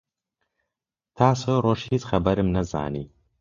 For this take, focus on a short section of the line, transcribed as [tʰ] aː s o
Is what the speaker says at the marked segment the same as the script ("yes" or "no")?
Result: yes